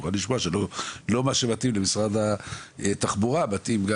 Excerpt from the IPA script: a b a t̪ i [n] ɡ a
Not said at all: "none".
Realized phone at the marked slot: m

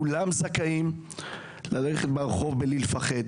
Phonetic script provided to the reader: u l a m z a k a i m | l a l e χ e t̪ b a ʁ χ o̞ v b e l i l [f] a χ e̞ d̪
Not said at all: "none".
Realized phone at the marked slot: f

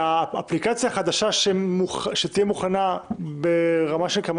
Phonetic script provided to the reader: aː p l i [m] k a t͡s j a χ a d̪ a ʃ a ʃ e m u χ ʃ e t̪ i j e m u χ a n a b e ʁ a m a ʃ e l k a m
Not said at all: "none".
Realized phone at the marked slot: none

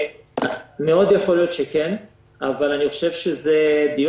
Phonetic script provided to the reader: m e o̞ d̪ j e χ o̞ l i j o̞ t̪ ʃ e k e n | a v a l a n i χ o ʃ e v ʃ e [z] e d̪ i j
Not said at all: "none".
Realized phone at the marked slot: z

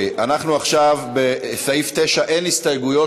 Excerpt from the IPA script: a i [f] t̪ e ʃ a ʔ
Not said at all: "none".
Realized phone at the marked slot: f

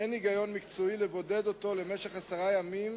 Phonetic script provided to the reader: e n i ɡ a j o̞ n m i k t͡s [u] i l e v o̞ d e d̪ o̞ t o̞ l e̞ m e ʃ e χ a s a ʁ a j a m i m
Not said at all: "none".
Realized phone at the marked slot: o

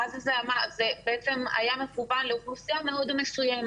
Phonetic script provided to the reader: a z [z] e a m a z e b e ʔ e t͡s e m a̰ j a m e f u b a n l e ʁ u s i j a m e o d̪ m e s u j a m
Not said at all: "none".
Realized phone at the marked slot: z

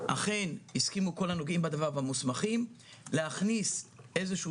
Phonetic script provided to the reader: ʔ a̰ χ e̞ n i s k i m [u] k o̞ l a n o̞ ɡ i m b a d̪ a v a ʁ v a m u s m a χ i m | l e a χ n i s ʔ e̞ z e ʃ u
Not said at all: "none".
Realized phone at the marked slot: u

